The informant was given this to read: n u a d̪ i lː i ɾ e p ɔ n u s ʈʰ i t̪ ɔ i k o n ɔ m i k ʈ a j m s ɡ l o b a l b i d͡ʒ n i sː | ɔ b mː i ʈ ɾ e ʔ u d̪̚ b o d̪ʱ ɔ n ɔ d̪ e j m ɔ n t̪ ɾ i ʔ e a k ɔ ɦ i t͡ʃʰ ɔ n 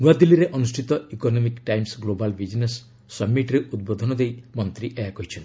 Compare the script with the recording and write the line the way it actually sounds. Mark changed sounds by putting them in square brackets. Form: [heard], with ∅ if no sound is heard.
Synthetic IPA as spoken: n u a d̪ i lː i ɾ e [ʔ] ɔ n u s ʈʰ i t̪ ɔ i k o n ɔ m i k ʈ a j m s ɡ l o b a l b i d͡ʒ n [e] sː | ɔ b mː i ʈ ɾ e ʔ u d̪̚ b o d̪ʱ ɔ n ɔ d̪ e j m ɔ n t̪ ɾ i ʔ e a k ɔ ɦ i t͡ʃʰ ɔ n